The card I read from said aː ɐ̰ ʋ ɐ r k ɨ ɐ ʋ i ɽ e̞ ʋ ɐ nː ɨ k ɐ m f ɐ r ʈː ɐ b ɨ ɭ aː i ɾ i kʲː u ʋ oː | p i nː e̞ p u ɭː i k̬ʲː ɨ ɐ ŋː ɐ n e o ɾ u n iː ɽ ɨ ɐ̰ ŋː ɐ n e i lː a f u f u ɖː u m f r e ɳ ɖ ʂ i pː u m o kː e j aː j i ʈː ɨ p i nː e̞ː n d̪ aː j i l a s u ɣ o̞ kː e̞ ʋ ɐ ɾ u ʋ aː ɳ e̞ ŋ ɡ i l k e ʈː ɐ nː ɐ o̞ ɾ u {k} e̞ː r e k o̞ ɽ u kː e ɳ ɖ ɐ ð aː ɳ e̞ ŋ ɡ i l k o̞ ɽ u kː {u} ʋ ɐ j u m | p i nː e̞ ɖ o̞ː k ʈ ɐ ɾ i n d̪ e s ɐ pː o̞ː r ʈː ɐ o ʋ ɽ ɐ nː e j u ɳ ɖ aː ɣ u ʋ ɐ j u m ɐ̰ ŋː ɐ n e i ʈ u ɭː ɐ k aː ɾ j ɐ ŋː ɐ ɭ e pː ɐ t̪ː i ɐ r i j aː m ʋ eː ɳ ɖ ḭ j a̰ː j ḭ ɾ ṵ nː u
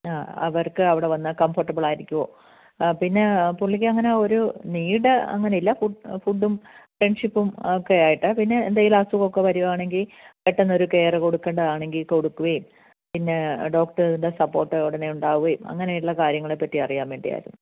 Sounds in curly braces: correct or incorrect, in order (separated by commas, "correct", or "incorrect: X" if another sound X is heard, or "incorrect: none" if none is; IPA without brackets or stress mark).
correct, correct